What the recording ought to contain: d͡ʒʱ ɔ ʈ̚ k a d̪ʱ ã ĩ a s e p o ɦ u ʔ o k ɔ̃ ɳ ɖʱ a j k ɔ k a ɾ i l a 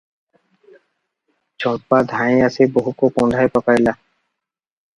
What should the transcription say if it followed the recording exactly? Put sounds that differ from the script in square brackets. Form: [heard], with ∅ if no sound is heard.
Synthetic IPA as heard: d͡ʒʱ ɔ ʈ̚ [p] a d̪ʱ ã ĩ a s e [b] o ɦ u [k] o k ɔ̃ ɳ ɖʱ a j [p] ɔ k a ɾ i l a